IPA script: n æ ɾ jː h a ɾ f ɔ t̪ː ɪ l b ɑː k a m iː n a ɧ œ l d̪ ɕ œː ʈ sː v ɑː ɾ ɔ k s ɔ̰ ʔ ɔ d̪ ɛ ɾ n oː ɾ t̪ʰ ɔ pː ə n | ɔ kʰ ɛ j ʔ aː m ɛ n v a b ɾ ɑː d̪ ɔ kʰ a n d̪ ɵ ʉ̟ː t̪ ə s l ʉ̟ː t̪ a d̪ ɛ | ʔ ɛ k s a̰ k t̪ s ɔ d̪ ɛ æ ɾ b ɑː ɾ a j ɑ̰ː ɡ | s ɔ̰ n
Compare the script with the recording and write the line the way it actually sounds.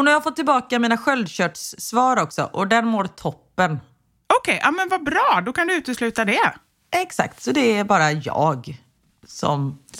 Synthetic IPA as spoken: n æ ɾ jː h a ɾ f ɔ t̪ː ɪ l b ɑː k a m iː n a ɧ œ l d̪ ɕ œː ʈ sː v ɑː ɾ ɔ k s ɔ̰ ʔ ɔ d̪ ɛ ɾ m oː ɾ t̪ʰ ɔ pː ə n | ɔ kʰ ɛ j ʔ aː m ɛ n v a b ɾ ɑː d̪ ɔ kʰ a n d̪ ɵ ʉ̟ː t̪ ə s l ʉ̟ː t̪ a d̪ ɛ | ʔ ɛ k s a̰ k t̪ s ɔ d̪ ɛ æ ɾ b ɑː ɾ a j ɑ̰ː ɡ | s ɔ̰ m